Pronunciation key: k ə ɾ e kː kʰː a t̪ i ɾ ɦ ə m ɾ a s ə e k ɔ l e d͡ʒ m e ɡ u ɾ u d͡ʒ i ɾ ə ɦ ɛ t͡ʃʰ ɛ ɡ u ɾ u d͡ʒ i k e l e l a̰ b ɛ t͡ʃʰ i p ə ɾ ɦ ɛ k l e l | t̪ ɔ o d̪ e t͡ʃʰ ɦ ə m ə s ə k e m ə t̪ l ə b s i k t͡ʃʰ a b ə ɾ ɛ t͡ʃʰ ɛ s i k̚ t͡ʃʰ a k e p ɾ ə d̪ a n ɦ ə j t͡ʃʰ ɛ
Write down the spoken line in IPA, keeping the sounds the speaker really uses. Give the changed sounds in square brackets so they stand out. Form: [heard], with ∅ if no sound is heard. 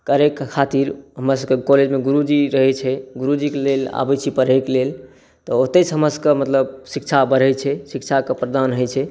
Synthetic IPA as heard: k ə ɾ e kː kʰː a t̪ i ɾ ɦ ə m ɾ a s ə e k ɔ l e d͡ʒ m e ɡ u ɾ u d͡ʒ i ɾ ə ɦ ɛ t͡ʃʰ ɛ ɡ u ɾ u d͡ʒ i k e l e l a̰ b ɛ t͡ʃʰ i p ə ɾ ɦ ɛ k l e l | t̪ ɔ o [t̪] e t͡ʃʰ ɦ ə m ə s ə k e m ə t̪ l ə b s i k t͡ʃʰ a b ə ɾ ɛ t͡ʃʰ ɛ s i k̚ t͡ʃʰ a k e p ɾ ə d̪ a n ɦ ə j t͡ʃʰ ɛ